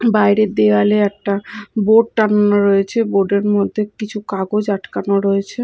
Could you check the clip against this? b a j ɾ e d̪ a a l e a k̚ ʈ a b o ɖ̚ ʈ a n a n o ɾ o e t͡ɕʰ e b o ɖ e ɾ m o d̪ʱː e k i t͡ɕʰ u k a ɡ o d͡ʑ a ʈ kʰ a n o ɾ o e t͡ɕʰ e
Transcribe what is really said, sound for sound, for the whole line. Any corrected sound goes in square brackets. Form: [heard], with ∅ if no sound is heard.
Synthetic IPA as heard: b a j ɾ e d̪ [e] a l e [ɛ] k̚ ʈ a b o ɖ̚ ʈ a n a n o ɾ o e t͡ɕʰ e b o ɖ e ɾ m o d̪ʱː e k i t͡ɕʰ u k a ɡ o d͡ʑ a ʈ [k] a n o ɾ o e t͡ɕʰ e